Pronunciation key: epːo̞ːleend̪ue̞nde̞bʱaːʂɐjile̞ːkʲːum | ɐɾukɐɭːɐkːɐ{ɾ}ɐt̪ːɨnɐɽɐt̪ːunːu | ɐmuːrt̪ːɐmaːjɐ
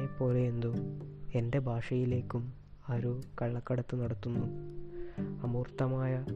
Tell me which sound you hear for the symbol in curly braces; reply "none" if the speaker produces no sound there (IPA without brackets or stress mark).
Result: ɽ